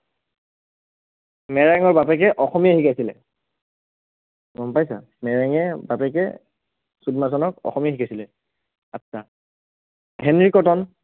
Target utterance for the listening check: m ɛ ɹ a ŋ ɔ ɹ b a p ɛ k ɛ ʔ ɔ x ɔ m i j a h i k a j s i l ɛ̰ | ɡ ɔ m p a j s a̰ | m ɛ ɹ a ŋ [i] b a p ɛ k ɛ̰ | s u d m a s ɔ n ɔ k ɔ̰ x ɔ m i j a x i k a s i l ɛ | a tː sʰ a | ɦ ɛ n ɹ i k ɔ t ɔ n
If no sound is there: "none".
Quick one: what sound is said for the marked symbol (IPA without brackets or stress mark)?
ɛ